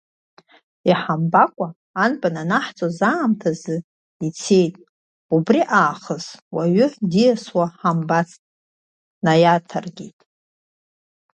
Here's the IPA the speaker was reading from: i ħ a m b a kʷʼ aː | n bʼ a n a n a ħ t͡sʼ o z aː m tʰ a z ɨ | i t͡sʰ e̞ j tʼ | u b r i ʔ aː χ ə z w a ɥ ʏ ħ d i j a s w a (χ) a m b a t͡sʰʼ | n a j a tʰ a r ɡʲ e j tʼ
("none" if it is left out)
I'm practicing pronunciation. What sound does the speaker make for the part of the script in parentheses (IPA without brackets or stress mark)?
ħ